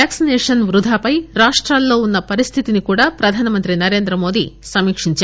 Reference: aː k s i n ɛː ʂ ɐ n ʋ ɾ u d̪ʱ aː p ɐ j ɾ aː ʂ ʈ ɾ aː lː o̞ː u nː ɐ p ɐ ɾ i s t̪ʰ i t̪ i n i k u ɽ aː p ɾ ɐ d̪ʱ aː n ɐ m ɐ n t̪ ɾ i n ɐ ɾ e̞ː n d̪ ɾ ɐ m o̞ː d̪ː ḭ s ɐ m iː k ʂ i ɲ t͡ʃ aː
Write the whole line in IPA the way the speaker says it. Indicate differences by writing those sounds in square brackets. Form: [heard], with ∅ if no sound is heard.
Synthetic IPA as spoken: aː k s i n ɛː ʂ ɐ n ʋ ɾ u d̪ʱ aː p ɐ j ɾ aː ʂ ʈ ɾ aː lː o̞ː u nː ɐ p ɐ ɾ i s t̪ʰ i t̪ i n i k [uː] ɽ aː p ɾ ɐ d̪ʱ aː n ɐ m ɐ n t̪ ɾ i n ɐ ɾ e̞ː n d̪ ɾ ɐ m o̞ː [d̪] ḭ s ɐ m iː k ʂ i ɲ t͡ʃ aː